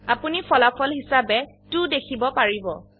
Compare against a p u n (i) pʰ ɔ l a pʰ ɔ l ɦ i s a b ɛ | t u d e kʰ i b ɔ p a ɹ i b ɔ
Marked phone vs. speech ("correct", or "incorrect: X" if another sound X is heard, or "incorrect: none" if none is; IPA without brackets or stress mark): correct